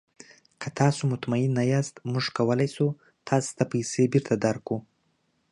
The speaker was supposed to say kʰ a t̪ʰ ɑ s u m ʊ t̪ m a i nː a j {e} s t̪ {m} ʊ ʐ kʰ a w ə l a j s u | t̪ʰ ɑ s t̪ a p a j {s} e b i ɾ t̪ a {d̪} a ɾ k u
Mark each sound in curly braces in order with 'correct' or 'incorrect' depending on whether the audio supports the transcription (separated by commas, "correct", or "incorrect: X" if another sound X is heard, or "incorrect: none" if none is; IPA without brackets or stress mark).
incorrect: a, correct, correct, correct